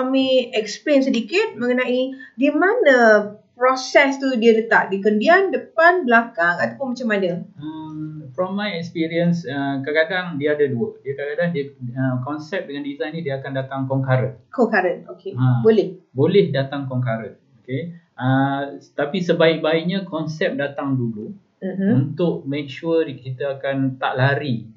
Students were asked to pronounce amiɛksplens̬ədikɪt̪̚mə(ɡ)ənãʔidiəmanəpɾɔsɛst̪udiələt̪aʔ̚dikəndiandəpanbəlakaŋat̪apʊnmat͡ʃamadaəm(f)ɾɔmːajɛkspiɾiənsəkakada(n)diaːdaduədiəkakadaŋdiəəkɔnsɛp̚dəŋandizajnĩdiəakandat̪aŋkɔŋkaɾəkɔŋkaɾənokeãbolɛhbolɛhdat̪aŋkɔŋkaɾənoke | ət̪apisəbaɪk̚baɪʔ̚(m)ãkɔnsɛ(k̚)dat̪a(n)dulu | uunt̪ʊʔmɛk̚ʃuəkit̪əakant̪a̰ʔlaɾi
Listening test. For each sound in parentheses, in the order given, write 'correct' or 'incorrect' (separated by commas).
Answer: incorrect, correct, incorrect, incorrect, incorrect, incorrect